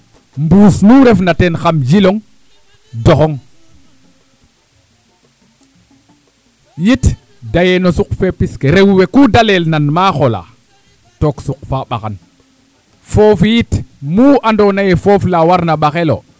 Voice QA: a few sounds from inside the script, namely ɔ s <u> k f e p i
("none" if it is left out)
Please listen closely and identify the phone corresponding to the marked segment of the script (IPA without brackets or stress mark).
u